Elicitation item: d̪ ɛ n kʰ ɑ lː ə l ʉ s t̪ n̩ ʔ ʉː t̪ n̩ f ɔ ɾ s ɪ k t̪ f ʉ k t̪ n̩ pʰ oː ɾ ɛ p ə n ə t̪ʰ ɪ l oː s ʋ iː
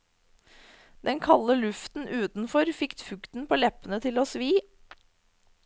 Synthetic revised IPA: d̪ ɛ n kʰ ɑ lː ə l ʉ f t̪ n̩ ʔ ʉː t̪ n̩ f ɔ ɾ f ɪ k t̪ f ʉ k t̪ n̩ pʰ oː l ɛ p ə n ə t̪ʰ ɪ l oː s ʋ iː